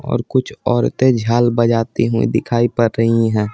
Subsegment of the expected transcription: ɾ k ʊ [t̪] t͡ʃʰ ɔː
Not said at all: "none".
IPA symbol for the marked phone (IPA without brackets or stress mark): none